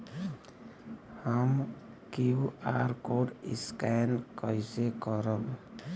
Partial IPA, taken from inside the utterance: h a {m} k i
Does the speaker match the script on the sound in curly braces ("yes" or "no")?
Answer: yes